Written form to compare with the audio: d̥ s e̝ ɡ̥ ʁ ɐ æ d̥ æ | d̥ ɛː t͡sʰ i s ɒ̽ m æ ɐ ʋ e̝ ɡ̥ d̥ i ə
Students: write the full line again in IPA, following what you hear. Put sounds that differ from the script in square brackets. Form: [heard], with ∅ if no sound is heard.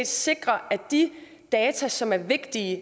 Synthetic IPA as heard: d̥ s e̝ ɡ̥ ʁ ɐ æ d̥ [i] | d̥ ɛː t͡sʰ [æ] s ɒ̽ m æ ɐ ʋ e̝ ɡ̥ d̥ i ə